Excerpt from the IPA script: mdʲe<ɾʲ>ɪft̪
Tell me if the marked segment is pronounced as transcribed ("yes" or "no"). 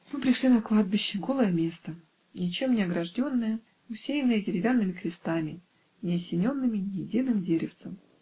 yes